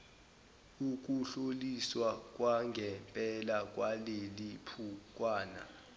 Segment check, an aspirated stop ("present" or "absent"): present